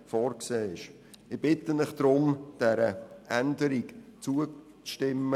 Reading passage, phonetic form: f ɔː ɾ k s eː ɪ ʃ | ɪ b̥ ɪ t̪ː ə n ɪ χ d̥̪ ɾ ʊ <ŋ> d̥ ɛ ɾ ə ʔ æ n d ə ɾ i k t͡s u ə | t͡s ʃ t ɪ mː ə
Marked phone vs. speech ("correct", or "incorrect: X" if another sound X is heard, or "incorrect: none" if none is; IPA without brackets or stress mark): incorrect: m